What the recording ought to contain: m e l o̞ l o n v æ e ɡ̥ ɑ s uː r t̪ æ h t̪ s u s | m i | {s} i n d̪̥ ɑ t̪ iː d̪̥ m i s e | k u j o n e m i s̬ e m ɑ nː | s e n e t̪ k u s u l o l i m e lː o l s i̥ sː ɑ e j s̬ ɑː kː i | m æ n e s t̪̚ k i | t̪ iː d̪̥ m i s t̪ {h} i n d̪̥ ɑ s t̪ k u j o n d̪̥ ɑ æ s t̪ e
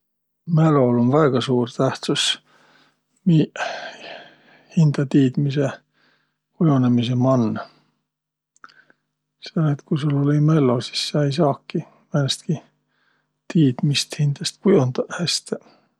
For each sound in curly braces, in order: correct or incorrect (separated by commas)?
incorrect, correct